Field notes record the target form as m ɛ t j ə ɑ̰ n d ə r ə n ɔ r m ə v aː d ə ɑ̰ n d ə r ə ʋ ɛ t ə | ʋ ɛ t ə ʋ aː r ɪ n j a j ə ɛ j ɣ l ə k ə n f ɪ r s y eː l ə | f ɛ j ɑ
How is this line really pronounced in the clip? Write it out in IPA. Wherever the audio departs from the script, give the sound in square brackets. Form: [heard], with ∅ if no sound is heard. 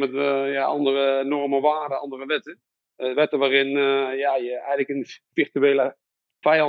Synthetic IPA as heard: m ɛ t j [a] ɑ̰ n d ə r ə n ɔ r m ə [ʋ] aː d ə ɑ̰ n d ə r ə ʋ ɛ t ə | ʋ ɛ t ə ʋ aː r ɪ n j a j ə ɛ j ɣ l ə k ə n f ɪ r [t] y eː l ə | f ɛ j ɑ